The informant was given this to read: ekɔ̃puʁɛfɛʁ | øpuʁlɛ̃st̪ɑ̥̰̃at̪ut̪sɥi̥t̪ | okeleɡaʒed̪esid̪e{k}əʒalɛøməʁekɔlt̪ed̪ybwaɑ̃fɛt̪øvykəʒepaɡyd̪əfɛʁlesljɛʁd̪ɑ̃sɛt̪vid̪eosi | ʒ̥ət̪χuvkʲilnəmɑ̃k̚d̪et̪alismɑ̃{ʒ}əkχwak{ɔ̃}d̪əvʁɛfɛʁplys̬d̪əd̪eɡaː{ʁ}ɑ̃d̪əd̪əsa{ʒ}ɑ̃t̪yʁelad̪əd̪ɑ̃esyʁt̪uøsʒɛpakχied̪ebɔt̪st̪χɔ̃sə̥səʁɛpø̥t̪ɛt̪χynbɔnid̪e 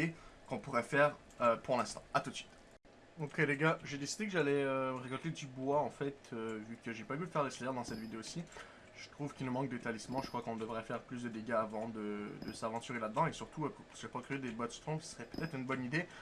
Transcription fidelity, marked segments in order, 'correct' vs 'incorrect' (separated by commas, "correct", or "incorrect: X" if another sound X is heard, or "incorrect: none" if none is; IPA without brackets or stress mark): correct, correct, correct, incorrect: v, incorrect: v